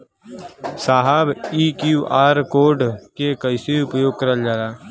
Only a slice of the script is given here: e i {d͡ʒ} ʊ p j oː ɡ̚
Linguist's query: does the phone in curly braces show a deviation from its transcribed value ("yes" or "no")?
yes